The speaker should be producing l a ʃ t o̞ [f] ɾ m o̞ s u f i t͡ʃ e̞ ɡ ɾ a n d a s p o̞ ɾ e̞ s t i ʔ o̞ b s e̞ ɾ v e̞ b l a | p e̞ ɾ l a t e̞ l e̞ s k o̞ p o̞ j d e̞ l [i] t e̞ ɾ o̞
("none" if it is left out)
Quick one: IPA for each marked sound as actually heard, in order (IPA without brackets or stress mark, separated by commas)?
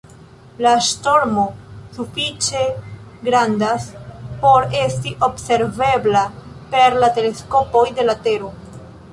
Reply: none, a